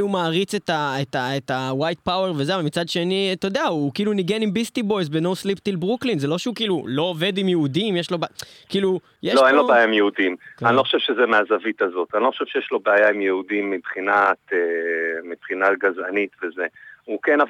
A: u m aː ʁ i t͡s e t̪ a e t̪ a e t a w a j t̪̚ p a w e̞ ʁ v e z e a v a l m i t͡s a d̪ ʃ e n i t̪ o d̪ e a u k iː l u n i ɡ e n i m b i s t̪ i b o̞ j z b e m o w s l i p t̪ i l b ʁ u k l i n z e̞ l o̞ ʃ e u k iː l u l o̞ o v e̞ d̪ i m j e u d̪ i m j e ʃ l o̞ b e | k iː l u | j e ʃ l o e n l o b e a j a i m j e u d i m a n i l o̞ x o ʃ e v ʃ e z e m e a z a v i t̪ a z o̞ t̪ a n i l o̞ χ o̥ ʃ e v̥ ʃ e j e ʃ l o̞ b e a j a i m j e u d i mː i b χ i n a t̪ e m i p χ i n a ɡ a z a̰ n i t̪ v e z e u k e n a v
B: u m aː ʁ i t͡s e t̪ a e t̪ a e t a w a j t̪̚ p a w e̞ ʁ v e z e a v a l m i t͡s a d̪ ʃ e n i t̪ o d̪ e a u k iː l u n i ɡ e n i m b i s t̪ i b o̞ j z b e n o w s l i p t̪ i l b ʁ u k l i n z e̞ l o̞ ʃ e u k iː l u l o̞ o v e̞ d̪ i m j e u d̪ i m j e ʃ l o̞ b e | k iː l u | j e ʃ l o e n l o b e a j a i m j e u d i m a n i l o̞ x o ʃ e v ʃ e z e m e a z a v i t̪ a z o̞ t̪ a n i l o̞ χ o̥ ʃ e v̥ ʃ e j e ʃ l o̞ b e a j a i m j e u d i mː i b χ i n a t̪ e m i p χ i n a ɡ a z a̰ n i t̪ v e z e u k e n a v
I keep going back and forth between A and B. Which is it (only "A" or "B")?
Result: B